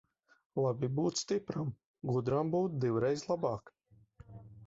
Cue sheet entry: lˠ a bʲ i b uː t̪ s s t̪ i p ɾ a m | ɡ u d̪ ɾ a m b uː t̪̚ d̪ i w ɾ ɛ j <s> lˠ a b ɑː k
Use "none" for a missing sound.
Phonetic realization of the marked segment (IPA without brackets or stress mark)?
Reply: z